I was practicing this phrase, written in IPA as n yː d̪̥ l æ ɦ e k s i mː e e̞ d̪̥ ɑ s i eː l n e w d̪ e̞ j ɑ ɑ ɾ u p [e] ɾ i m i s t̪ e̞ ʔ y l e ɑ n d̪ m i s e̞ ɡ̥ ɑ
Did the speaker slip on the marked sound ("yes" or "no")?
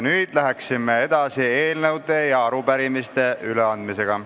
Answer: yes